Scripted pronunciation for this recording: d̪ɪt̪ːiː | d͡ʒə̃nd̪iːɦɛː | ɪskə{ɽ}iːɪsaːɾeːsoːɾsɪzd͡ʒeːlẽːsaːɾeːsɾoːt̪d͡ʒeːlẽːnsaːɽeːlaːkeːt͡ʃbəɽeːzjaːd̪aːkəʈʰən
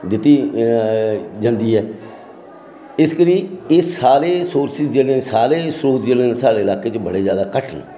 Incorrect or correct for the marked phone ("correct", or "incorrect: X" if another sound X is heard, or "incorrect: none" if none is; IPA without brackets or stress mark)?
incorrect: ɾ